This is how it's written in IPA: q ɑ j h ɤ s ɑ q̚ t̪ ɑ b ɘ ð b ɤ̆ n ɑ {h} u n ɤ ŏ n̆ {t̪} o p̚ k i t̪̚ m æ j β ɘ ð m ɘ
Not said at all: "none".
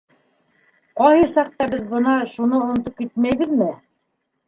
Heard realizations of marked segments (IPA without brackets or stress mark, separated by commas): ʃ, t̪